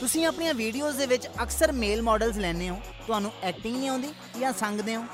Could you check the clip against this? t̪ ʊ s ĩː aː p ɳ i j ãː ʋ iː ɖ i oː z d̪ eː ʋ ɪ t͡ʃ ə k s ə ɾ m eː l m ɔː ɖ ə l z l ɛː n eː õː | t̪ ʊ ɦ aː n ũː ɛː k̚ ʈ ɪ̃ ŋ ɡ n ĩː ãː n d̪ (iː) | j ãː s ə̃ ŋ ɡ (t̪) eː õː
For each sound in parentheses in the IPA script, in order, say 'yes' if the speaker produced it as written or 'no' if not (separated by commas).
yes, no